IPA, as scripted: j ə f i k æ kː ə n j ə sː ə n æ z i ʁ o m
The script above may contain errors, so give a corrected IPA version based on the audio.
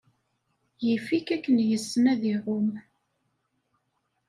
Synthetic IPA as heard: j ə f i k æ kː ə n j ə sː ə n æ ð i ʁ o m

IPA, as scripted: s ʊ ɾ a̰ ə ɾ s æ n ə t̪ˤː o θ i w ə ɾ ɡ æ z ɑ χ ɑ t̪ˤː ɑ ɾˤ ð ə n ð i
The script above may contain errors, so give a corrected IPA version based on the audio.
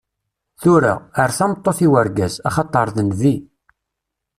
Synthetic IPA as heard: θ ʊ ɾ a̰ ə ɾ θ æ m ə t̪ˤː o θ i w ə ɾ ɡ æ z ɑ χ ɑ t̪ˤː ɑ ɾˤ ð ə n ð i

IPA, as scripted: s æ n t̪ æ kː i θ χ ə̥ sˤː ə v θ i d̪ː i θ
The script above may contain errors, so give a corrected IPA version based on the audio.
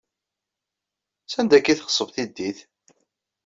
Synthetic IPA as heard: s æ n d̪ æ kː i θ χ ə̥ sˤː ə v θ i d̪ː i θ

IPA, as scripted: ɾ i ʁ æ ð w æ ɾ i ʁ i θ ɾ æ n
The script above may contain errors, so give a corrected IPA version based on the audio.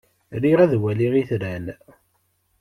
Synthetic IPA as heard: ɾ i ʁ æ ð w æ l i ʁ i θ ɾ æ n

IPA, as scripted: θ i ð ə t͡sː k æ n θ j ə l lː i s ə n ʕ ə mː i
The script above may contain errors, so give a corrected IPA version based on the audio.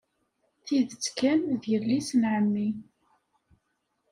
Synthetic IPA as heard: θ i ð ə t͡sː k æ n ð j ə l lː i s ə n ʕ ə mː i

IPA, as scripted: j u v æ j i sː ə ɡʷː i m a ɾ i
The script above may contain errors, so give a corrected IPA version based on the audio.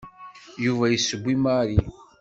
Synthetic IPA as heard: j u v æ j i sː ə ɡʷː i m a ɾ i

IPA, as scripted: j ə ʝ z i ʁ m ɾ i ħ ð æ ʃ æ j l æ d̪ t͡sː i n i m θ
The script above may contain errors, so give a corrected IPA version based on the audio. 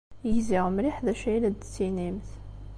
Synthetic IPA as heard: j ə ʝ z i ʁ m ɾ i ħ ð æ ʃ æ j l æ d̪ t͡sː i n i m θ

